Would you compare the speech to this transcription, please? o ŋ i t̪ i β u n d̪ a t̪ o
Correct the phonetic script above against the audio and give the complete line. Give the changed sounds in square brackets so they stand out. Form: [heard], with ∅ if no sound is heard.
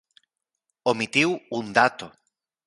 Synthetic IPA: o [m] i t̪ i [w] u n d̪ a t̪ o